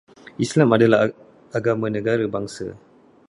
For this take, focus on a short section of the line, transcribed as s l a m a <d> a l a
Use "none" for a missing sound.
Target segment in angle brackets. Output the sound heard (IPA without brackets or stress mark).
d